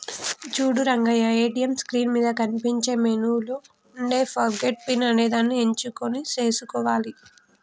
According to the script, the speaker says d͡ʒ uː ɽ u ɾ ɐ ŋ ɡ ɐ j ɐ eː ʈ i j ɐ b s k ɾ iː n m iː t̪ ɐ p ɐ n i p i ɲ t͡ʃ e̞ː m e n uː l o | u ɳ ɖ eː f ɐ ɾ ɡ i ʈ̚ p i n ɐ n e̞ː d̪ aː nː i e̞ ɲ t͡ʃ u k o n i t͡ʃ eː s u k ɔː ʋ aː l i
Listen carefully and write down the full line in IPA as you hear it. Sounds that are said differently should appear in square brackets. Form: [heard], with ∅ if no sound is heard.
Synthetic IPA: d͡ʒ uː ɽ u ɾ ɐ ŋ ɡ ɐ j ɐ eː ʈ i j ɐ [m] s k ɾ iː n m iː [d̪] ɐ [k] ɐ n i p i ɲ t͡ʃ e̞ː m e n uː l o | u ɳ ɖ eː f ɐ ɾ ɡ [e] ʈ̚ p i n ɐ n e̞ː d̪ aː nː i e̞ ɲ t͡ʃ u k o n i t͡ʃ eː s u k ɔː ʋ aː l i